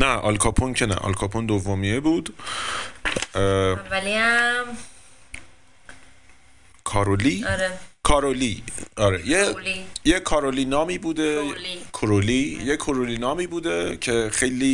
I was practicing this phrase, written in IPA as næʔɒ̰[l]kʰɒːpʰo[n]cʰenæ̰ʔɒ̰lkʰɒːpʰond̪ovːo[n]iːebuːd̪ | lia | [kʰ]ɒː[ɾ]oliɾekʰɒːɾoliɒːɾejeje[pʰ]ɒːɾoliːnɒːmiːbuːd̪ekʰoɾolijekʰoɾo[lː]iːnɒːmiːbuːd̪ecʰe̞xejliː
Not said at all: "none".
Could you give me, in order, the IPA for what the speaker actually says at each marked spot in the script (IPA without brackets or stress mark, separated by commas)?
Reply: l, n, m, kʰ, ɾ, kʰ, l